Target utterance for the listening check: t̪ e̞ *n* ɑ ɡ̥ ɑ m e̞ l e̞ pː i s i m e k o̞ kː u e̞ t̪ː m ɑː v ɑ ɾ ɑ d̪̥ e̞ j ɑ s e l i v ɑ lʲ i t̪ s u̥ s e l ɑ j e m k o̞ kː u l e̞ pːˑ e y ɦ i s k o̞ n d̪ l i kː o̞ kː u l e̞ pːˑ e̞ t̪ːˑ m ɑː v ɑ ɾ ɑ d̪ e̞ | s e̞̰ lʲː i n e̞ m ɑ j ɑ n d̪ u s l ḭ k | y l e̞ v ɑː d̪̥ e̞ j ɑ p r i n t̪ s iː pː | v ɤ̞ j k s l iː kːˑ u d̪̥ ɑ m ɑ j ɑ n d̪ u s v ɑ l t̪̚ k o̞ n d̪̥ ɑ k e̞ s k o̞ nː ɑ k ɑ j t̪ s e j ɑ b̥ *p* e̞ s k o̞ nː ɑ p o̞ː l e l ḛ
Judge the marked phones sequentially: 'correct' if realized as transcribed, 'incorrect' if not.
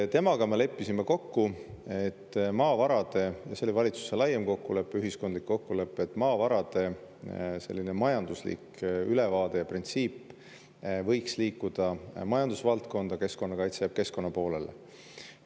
incorrect: m, incorrect: k

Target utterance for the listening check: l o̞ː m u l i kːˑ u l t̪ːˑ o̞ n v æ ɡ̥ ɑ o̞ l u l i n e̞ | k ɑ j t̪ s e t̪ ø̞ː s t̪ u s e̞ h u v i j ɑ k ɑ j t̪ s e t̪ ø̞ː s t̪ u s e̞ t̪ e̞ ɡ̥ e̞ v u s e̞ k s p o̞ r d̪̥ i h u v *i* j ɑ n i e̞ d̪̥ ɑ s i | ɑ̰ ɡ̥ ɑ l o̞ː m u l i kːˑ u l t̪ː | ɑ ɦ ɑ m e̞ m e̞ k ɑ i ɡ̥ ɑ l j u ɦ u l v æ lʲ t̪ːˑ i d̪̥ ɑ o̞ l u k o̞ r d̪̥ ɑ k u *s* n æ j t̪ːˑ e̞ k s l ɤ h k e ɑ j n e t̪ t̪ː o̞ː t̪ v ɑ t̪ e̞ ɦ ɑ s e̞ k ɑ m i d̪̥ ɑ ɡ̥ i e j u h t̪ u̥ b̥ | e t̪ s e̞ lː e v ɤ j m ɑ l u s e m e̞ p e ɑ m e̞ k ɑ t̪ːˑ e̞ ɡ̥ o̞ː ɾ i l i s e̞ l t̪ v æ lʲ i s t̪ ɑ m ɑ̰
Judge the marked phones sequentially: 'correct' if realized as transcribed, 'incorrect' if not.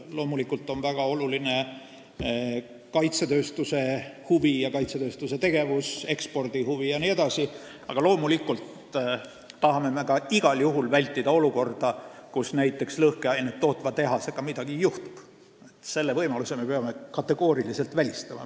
correct, correct

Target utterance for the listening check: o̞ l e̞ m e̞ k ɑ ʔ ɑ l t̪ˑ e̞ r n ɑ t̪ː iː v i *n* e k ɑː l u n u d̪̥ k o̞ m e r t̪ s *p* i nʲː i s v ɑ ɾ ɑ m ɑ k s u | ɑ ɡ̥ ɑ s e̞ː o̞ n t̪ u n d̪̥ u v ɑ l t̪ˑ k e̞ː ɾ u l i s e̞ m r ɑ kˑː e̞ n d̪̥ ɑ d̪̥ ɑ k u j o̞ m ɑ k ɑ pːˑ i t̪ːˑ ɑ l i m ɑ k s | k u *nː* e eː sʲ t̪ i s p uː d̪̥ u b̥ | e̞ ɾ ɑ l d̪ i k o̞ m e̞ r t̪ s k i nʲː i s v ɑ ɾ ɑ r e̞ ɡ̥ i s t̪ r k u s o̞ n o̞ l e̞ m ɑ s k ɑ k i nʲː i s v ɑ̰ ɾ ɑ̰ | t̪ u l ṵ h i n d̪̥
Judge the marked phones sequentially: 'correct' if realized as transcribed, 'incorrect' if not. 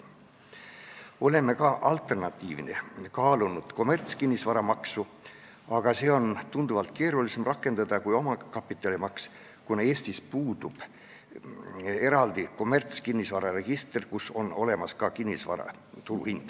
correct, incorrect: k, incorrect: n

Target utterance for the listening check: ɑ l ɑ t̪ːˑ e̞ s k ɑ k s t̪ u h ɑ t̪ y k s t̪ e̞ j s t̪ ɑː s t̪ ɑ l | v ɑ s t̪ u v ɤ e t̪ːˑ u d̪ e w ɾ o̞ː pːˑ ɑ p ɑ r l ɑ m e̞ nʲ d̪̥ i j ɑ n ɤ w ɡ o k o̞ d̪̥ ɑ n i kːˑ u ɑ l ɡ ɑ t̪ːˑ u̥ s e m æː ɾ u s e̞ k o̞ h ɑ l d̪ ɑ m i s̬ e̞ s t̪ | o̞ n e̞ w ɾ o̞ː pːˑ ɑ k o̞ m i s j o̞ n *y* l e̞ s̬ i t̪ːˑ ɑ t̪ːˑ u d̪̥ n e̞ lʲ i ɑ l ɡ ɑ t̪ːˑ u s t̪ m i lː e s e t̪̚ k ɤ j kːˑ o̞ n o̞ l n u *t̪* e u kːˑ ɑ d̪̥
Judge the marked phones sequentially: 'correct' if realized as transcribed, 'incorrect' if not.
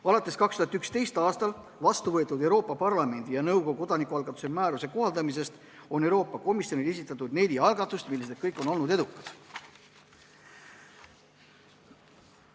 incorrect: i, incorrect: d̪

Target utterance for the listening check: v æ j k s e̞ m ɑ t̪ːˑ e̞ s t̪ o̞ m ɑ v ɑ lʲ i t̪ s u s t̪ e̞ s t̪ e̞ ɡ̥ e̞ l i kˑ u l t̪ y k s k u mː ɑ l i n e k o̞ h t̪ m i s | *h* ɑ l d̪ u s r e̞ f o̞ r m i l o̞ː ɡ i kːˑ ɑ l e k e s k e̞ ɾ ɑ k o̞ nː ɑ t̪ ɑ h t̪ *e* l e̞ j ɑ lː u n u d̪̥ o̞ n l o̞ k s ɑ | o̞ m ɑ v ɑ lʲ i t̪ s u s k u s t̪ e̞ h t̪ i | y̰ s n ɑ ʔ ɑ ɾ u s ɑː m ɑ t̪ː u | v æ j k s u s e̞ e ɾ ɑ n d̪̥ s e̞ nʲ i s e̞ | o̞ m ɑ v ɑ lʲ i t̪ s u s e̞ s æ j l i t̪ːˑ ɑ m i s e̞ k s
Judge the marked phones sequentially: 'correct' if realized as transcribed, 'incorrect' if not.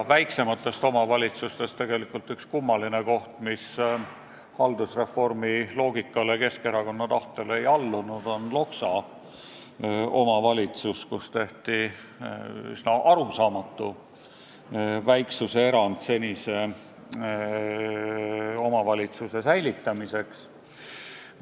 correct, correct

